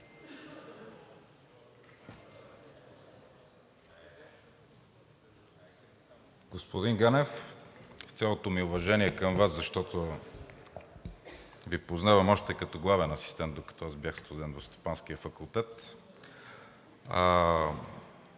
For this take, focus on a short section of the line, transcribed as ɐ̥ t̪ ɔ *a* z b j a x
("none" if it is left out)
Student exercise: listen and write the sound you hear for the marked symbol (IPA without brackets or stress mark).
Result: a